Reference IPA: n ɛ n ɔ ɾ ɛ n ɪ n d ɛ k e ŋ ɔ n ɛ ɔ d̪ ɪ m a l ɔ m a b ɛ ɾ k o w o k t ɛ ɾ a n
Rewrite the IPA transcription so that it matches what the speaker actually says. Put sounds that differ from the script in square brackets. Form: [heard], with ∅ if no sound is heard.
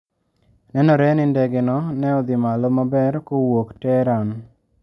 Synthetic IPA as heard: n ɛ n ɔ ɾ ɛ n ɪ n d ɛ [ɡ] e [n] ɔ n ɛ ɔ d̪ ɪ m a l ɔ m a b ɛ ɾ k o w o k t ɛ ɾ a n

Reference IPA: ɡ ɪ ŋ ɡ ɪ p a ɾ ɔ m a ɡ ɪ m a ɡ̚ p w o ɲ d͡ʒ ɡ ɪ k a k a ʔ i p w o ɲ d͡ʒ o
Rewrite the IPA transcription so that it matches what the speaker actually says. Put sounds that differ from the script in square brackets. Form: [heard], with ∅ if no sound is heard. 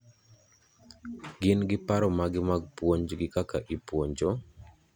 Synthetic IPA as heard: ɡ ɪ [n] ɡ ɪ p a ɾ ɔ m a ɡ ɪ m a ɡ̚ p w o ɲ d͡ʒ ɡ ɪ k a k a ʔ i p w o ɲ d͡ʒ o

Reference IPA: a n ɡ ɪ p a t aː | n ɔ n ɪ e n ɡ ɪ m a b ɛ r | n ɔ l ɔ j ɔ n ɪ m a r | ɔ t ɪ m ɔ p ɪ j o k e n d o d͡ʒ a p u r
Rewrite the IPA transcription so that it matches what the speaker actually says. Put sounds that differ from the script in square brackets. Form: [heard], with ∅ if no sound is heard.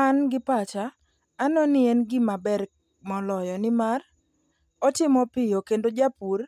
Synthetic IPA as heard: a n ɡ ɪ p a [t͡ʃ] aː | n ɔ n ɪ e n ɡ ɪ m a b ɛ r | [m] ɔ l ɔ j ɔ n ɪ m a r | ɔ t ɪ m ɔ p ɪ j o k e n d o d͡ʒ a p u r

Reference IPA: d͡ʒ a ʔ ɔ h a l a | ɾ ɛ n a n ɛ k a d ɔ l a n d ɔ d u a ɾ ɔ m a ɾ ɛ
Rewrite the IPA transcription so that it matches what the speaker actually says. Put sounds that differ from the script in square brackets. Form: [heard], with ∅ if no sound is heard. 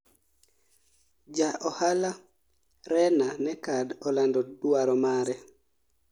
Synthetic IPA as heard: d͡ʒ a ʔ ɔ h a l a | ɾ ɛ n a n ɛ k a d ɔ l a n d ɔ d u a ɾ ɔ m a ɾ ɛ

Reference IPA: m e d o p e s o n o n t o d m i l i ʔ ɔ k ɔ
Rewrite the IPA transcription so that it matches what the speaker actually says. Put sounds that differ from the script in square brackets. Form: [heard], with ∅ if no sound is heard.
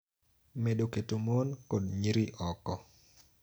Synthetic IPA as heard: m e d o [k] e [t] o [m] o n [k] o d [ɲ] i [ɾ] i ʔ ɔ k ɔ

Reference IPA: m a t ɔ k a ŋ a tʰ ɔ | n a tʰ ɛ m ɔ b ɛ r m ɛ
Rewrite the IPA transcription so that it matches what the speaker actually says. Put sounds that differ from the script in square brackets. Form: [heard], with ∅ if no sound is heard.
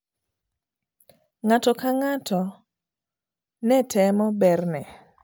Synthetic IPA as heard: [ŋ] a t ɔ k a ŋ a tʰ ɔ | n [ɛ] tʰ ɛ m ɔ b ɛ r [n] ɛ

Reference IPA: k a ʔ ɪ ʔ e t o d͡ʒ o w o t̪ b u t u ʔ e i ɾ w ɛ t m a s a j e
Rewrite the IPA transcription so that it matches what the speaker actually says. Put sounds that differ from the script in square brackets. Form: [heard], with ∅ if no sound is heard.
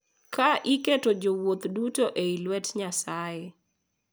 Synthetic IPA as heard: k a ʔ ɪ [k] e t o d͡ʒ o w o t̪ [d] u t [o] ʔ e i [l] w ɛ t [ɲ] a s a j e

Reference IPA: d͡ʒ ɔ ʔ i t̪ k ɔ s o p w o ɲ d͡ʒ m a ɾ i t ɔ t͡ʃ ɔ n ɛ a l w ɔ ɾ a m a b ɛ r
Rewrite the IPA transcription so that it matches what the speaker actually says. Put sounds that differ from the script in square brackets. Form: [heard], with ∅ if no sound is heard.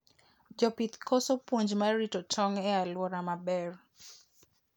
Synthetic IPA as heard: d͡ʒ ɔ [p] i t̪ k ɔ s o p w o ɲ d͡ʒ m a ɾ i t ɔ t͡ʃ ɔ [ŋ] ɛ a l w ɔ ɾ a m a b ɛ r

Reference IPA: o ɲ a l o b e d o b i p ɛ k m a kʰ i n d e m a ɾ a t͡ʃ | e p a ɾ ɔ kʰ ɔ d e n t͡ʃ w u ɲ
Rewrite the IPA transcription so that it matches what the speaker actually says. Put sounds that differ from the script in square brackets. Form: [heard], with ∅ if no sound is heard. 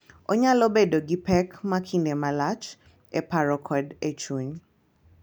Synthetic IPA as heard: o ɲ a l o b e d o [ɡ] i p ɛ k m a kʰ i n d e m a [l] a t͡ʃ | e p a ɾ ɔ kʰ ɔ d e [∅] t͡ʃ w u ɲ

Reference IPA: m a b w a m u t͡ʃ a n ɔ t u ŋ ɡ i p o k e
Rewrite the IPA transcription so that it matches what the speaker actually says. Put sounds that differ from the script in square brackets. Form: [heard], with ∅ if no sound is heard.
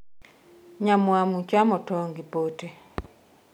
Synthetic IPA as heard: [ɲ] a [m] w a m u t͡ʃ a [m] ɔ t [ɔ] ŋ ɡ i p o [t] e

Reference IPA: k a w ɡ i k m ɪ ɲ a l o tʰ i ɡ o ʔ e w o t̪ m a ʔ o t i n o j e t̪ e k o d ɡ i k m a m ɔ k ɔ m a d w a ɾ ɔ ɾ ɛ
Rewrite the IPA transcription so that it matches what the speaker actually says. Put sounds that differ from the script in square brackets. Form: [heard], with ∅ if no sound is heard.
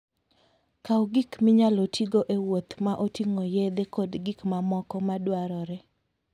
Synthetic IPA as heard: k a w ɡ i k m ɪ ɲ a l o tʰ i ɡ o ʔ e w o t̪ m a ʔ o t i [ŋ] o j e [d̪] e k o d ɡ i k m a m ɔ k ɔ m a d w a ɾ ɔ ɾ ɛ

